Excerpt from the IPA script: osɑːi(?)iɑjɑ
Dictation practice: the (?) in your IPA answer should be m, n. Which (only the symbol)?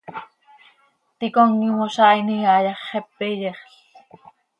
n